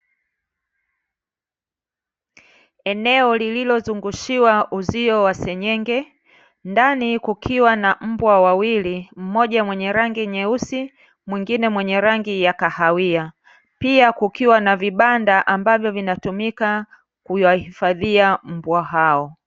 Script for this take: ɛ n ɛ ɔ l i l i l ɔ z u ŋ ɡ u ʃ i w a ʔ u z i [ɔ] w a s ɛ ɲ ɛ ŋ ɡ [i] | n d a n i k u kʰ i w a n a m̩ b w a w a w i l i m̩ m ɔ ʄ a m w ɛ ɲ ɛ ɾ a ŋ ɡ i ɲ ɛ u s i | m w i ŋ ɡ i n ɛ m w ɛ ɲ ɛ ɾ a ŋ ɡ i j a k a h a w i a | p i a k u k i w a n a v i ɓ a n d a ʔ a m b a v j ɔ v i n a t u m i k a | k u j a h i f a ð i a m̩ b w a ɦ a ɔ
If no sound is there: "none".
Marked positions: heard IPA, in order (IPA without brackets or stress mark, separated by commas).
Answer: ɔ, ɛ